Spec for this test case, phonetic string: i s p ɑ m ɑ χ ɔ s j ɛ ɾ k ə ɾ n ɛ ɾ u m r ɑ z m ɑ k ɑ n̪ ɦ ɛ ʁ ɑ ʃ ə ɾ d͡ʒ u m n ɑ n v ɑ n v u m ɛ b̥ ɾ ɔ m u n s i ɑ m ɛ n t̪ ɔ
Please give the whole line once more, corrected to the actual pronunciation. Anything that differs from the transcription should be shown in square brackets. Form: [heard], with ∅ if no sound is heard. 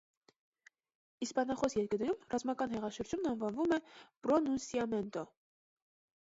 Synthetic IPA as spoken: i s p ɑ [n] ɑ χ ɔ s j ɛ ɾ k ə ɾ n ɛ ɾ u m r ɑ z m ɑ k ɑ n̪ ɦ ɛ ʁ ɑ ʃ ə ɾ d͡ʒ u m n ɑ n v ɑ n v u m ɛ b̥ ɾ ɔ [n] u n s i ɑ m ɛ n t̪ ɔ